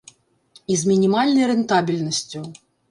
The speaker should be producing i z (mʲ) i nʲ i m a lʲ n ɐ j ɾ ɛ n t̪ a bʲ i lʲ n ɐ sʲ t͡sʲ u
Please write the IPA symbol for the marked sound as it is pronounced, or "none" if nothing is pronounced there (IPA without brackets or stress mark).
mʲ